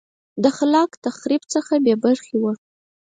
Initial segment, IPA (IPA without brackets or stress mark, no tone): d̪